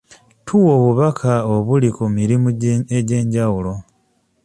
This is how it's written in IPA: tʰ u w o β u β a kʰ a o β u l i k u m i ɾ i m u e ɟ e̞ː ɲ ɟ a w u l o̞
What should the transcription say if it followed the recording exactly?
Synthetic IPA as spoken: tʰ u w o β u β a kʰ a o β u l i k u m i ɾ i m u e ɟ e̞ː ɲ ɟ a w u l o̞